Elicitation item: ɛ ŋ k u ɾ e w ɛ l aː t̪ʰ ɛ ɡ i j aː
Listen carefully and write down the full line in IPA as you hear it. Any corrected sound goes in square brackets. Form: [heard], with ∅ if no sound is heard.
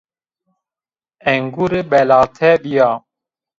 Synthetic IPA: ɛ ŋ [ɡ] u ɾ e [b] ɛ l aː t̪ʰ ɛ [b] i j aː